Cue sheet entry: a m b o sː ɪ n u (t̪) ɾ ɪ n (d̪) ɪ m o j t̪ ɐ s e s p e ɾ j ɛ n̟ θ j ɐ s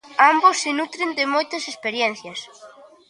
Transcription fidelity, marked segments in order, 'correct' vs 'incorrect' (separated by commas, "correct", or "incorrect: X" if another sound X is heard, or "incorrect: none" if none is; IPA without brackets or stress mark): correct, correct